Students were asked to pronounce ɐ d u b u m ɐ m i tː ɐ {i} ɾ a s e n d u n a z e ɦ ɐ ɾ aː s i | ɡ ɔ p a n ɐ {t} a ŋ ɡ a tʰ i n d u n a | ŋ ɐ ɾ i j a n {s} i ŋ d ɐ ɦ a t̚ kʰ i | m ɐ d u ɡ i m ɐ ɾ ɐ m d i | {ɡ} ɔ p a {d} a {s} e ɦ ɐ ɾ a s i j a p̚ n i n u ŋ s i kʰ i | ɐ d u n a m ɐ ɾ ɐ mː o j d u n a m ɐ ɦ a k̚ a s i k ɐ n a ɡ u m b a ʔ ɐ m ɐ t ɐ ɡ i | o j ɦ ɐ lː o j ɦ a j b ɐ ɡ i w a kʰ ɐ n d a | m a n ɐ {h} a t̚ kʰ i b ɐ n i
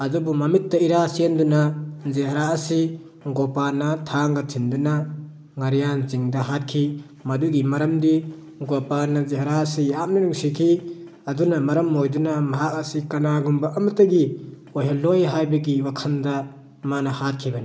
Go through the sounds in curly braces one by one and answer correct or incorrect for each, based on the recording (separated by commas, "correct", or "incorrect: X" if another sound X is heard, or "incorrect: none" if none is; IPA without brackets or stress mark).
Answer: correct, incorrect: tʰ, incorrect: z, correct, incorrect: n, incorrect: z, correct